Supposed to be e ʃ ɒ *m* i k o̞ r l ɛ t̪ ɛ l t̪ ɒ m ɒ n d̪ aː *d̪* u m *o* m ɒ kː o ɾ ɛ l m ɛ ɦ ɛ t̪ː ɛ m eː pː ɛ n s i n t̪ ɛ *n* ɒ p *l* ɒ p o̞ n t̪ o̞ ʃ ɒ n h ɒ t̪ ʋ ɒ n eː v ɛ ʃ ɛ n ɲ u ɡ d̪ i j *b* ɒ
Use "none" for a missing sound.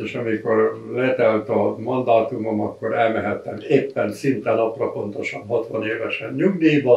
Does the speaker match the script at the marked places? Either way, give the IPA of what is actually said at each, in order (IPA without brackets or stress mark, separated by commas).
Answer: m, t̪, o, n, r, b